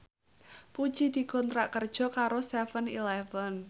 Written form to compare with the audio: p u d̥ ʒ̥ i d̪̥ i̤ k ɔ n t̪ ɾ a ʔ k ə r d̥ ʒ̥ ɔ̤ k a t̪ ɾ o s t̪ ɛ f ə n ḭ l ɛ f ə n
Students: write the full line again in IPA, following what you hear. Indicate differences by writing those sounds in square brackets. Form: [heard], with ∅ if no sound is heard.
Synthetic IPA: p u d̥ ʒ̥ i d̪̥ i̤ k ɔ n t̪ ɾ a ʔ k ə r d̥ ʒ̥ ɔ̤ k a [∅] ɾ o s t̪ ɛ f ə n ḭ l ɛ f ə n